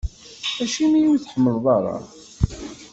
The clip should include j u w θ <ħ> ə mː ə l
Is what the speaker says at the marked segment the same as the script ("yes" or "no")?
yes